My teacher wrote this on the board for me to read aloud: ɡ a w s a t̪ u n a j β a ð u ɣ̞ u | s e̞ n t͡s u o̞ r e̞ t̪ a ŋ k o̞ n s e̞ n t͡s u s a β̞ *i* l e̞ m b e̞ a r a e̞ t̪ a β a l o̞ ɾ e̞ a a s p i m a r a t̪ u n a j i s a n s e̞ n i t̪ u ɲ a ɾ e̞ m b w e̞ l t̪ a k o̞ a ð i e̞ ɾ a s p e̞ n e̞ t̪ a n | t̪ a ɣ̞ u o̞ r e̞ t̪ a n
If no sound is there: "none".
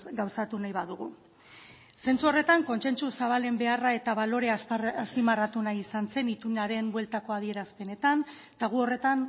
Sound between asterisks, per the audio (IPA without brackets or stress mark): a